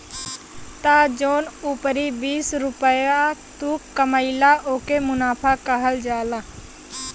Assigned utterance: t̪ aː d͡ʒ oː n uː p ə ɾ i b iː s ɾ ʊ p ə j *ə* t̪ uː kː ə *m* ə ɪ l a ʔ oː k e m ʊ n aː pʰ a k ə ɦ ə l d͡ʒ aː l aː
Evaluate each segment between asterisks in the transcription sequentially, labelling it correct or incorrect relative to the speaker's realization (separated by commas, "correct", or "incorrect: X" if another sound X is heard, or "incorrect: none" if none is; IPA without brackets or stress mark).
incorrect: a, correct